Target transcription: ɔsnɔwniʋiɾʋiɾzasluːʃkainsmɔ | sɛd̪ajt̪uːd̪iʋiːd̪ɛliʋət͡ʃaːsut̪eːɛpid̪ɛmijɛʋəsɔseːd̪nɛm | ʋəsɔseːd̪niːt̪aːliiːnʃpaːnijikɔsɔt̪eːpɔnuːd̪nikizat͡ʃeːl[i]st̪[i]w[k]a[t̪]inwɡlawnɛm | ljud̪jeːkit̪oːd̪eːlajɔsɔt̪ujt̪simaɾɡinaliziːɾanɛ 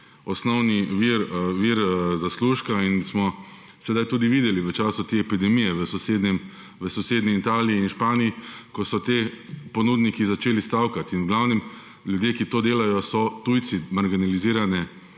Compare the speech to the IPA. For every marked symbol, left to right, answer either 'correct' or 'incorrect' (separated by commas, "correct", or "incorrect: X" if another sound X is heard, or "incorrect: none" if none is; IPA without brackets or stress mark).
correct, incorrect: a, correct, correct